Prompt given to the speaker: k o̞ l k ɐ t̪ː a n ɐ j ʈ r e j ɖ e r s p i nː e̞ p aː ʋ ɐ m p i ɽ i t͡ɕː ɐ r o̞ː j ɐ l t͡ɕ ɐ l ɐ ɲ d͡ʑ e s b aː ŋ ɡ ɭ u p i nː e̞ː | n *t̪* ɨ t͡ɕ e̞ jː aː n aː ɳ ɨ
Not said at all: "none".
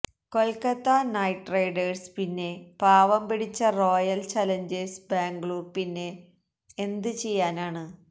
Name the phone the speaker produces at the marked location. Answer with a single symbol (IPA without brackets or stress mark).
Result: d̪